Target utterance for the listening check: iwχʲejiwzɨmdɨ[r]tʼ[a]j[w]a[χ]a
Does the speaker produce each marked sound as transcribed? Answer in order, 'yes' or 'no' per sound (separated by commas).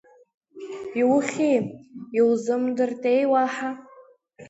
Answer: yes, no, yes, no